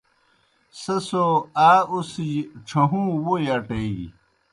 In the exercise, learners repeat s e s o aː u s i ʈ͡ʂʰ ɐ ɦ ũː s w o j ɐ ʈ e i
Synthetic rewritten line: s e s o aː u s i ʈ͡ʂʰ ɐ ɦ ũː w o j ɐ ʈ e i